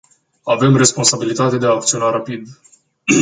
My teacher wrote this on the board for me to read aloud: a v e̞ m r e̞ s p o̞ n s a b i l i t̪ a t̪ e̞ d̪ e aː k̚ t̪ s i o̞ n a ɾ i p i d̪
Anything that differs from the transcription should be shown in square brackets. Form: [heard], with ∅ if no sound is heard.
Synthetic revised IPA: a v e̞ m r e̞ s p o̞ n s a b i l i t̪ a t̪ e̞ d̪ e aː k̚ t̪ s i o̞ n a ɾ [a] p i d̪